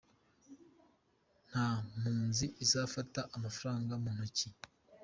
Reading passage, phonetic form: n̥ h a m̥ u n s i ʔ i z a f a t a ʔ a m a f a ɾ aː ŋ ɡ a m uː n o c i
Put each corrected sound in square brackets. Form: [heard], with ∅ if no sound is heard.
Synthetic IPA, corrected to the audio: n̥ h a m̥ [uː] n [z] i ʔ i z a f a t a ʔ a m a f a ɾ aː ŋ ɡ a m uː n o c i